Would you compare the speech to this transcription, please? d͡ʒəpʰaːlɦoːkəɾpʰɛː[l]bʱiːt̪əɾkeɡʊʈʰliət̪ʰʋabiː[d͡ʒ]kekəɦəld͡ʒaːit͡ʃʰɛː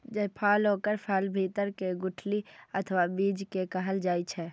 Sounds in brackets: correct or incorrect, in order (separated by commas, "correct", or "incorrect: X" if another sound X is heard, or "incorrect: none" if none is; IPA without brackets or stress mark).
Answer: correct, correct